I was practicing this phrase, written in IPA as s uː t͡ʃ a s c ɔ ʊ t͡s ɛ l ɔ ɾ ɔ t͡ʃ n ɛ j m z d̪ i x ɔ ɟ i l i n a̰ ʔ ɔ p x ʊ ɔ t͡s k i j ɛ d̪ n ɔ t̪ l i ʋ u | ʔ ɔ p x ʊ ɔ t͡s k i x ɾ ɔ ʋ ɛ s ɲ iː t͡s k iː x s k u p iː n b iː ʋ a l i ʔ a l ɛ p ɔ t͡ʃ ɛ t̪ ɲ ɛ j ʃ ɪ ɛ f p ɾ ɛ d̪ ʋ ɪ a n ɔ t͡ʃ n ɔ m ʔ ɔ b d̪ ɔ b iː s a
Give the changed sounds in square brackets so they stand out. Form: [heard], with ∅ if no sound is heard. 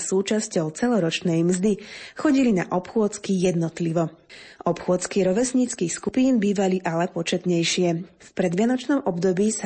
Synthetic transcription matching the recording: s uː t͡ʃ a s c ɔ ʊ t͡s ɛ l ɔ ɾ ɔ t͡ʃ n ɛ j m z d̪ i x ɔ ɟ i l i n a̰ ʔ ɔ p x ʊ ɔ t͡s k i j ɛ d̪ n ɔ t̪ l i ʋ [ɔ] | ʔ ɔ p x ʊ ɔ t͡s k i [∅] ɾ ɔ ʋ ɛ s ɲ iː t͡s k iː x s k u p iː n b iː ʋ a l i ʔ a l ɛ p ɔ t͡ʃ ɛ t̪ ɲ ɛ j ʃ ɪ ɛ f p ɾ ɛ d̪ ʋ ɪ a n ɔ t͡ʃ n ɔ m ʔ ɔ b d̪ ɔ b iː s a